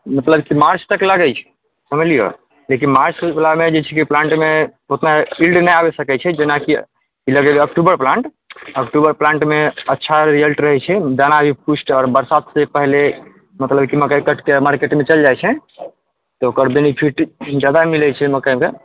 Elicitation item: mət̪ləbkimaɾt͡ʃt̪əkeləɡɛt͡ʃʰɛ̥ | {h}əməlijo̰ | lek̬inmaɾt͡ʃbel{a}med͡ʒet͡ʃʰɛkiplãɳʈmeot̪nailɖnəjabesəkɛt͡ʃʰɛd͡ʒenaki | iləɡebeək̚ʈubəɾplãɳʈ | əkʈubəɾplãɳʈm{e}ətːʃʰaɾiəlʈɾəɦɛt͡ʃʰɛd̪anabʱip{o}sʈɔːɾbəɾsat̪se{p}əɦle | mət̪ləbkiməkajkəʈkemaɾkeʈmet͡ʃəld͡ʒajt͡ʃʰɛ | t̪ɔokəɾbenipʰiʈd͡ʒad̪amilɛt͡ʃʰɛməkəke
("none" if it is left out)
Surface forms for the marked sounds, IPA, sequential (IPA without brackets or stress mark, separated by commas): s, a, e, u, p